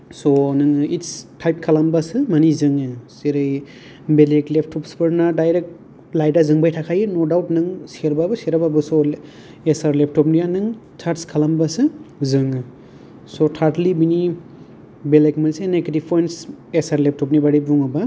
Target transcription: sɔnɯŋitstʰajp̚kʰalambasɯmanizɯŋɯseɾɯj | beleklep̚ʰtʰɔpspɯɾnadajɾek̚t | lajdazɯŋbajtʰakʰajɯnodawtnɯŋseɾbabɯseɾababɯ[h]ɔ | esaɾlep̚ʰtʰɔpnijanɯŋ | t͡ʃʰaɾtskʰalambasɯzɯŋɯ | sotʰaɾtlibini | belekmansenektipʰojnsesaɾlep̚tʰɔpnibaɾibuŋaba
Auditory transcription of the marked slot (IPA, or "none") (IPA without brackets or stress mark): s